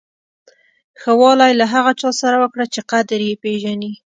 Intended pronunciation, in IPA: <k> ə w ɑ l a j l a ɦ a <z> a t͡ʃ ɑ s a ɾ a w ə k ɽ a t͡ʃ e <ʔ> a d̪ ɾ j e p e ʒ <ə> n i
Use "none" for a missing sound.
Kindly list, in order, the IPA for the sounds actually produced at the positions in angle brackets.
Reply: x, ɣ, q, a

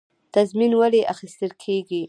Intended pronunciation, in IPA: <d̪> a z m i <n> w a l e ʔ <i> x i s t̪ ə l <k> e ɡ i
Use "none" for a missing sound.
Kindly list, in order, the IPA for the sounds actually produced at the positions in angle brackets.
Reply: t̪, n, a, kʰ

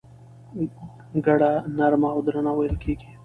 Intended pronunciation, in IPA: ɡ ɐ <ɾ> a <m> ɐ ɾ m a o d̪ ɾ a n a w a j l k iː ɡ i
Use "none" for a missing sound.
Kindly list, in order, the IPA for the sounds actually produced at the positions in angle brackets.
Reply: ɽ, n

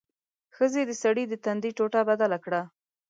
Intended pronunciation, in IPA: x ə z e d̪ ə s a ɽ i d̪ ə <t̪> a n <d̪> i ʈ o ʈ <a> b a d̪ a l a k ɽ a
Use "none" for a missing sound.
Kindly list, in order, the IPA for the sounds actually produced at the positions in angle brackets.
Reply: t̪, d̪, a

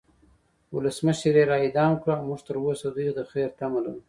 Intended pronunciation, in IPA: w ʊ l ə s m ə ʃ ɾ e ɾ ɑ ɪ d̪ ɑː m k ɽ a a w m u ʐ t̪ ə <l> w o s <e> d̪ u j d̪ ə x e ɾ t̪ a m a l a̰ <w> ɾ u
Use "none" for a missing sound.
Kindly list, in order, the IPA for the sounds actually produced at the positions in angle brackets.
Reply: ɾ, a, none

